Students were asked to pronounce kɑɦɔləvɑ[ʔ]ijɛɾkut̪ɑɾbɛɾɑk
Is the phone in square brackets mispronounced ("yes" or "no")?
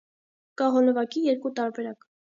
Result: yes